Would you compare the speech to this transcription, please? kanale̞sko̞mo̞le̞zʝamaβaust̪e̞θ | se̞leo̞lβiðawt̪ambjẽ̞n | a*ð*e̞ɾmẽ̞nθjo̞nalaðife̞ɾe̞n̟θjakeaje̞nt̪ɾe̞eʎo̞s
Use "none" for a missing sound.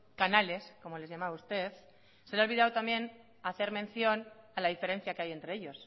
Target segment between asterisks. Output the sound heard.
θ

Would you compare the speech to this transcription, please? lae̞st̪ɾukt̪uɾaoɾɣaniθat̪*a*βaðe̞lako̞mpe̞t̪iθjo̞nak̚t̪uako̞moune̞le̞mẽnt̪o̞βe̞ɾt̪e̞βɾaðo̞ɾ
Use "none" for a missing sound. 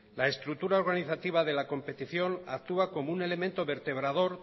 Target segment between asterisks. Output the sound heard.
i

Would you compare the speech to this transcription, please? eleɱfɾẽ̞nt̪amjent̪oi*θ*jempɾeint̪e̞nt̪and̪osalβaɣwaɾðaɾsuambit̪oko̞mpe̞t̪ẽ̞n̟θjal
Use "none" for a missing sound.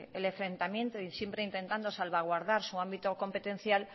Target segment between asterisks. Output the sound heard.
s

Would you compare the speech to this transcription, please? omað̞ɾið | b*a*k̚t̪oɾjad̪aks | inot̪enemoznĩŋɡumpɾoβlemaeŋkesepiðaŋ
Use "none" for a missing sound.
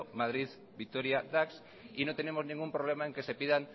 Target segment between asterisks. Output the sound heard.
i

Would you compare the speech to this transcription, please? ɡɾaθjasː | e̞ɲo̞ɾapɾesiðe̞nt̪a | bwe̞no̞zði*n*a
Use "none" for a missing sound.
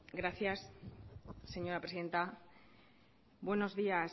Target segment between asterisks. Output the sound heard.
none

